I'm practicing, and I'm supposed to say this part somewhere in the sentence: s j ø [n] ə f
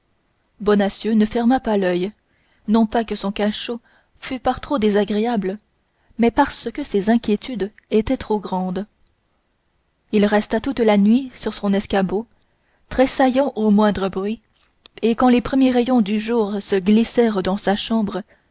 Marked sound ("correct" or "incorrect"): correct